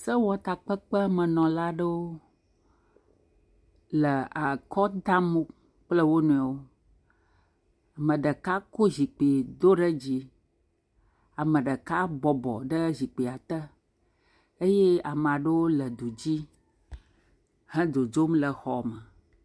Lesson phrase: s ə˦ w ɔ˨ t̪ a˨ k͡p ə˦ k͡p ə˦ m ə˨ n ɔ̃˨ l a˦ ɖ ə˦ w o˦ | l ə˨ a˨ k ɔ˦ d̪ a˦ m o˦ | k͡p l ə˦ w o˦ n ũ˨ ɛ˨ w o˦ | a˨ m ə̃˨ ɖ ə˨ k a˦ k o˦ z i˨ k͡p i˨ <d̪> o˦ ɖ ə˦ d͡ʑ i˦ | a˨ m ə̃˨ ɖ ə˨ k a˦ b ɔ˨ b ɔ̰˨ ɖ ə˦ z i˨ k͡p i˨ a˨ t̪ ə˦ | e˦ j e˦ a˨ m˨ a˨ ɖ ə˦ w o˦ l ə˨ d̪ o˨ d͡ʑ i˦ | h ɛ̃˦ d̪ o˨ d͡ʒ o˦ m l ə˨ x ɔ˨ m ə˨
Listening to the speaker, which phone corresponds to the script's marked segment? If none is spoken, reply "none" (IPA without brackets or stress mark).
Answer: d̪